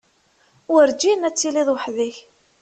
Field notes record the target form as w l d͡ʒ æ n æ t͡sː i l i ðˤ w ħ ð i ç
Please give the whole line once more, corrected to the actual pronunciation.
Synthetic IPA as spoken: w ɾ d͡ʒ i n æ t͡sː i l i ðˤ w ħ ð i ç